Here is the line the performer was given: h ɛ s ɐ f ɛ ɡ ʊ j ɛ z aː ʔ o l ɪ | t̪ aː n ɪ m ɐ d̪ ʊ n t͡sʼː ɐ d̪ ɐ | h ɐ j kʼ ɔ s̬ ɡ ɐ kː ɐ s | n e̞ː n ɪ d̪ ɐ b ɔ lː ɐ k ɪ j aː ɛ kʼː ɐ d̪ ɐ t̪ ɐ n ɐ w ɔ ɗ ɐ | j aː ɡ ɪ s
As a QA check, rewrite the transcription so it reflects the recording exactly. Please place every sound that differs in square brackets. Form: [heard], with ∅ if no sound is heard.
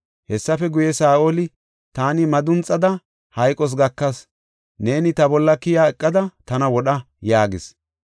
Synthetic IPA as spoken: h ɛ [sː] ɐ f ɛ ɡ ʊ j ɛ [s] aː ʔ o l ɪ | t̪ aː n ɪ m ɐ d̪ ʊ n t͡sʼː ɐ d̪ ɐ | h ɐ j kʼ ɔ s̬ ɡ ɐ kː ɐ s | n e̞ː n ɪ [t̪] ɐ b ɔ lː ɐ k ɪ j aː ɛ kʼː ɐ d̪ ɐ t̪ ɐ n ɐ w ɔ ɗ ɐ | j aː ɡ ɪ s